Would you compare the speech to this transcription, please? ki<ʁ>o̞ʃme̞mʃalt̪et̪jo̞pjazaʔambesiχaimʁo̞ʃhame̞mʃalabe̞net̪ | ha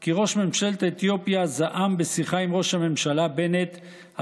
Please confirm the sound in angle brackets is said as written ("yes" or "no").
yes